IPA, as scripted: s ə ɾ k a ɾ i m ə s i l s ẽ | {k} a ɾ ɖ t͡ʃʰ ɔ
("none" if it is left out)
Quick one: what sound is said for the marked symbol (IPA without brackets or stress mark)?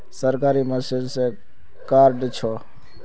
k